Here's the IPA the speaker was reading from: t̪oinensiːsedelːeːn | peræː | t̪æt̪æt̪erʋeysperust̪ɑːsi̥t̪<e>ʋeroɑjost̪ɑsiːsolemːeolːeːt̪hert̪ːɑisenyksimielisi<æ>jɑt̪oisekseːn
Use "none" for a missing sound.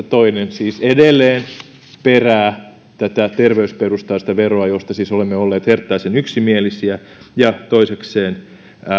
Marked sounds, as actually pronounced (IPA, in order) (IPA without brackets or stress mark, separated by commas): æ, æ